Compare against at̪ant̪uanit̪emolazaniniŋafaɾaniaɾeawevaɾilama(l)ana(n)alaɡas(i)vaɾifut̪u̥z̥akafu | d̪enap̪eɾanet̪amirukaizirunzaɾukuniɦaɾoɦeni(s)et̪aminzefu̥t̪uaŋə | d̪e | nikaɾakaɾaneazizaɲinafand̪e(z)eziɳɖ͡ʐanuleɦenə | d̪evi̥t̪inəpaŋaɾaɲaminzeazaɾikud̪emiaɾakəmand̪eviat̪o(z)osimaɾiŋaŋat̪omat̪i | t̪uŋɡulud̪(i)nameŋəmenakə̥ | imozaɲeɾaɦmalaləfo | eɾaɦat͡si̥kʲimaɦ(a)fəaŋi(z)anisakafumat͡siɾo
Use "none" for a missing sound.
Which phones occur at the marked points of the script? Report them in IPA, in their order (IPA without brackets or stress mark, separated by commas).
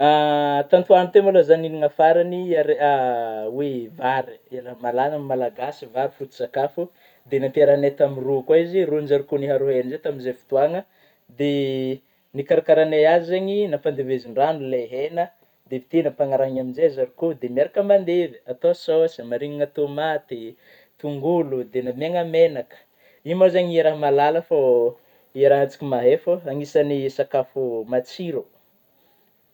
l, m, i, z, v, s, e, e, s